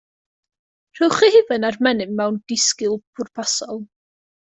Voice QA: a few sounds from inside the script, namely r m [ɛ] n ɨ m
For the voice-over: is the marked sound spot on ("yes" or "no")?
yes